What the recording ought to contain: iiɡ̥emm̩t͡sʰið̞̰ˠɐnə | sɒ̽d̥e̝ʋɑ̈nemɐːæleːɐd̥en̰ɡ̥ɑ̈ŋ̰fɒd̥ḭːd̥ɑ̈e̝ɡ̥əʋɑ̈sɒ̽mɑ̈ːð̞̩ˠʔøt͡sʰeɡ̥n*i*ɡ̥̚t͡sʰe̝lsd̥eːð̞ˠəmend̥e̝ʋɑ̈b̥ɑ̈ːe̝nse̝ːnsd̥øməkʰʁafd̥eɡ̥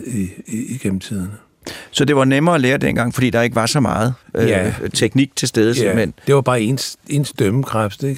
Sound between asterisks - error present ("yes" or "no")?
no